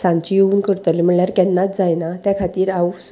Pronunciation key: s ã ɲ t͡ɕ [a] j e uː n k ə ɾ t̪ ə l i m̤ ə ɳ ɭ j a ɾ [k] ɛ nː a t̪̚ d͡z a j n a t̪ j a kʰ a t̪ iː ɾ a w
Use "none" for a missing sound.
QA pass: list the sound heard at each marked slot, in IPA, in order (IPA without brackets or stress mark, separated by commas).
i, k